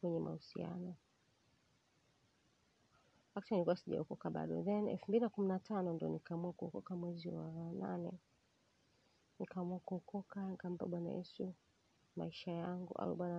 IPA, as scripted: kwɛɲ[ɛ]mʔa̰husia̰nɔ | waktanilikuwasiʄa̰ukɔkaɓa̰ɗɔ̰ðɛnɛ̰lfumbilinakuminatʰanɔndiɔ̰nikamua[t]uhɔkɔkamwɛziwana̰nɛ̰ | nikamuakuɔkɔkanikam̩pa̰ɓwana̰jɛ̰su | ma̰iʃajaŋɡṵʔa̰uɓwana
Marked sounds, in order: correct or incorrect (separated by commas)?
correct, incorrect